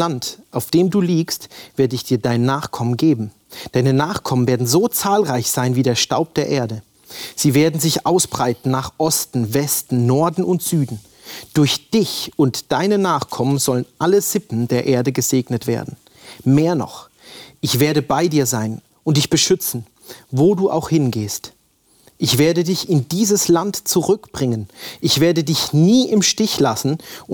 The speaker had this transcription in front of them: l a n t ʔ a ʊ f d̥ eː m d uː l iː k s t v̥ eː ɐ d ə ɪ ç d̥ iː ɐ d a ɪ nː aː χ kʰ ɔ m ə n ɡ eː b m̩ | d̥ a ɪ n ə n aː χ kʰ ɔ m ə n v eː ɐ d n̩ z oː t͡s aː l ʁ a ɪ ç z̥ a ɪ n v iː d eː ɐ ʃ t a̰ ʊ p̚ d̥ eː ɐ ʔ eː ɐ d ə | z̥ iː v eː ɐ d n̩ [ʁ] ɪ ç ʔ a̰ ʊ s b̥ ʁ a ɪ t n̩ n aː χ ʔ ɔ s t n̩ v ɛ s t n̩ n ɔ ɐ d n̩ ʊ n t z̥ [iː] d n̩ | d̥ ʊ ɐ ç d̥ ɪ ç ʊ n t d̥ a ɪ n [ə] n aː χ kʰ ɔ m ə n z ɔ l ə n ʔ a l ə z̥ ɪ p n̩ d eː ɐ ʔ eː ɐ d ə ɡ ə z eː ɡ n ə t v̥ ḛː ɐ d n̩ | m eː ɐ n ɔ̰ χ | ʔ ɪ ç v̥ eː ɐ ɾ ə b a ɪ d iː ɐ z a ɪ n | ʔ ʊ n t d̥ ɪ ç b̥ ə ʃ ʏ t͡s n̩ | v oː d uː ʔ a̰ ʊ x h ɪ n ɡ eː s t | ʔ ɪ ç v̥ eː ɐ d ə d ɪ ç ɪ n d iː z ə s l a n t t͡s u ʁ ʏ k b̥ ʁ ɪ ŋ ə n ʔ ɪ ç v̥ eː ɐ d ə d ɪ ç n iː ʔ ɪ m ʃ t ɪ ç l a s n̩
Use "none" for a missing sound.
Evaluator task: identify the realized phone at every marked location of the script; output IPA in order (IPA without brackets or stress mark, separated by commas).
z, yː, ə